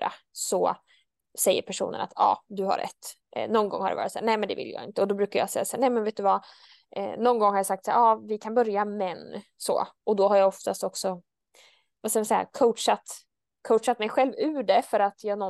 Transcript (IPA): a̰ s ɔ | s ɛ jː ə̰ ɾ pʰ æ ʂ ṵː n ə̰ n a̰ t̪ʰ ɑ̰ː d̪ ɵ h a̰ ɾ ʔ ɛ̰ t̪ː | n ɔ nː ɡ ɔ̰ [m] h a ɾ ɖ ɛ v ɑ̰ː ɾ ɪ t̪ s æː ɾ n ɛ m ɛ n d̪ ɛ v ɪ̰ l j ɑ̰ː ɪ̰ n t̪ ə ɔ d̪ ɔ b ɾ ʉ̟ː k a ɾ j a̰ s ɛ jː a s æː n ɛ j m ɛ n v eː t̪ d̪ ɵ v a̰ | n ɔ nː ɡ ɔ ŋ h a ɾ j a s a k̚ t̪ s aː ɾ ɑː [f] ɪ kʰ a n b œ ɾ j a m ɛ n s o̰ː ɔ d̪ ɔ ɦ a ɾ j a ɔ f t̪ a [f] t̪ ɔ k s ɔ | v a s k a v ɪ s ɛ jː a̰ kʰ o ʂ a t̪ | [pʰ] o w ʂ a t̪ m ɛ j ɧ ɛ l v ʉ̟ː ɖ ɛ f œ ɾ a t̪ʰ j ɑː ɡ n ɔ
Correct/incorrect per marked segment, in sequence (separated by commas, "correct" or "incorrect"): incorrect, incorrect, incorrect, incorrect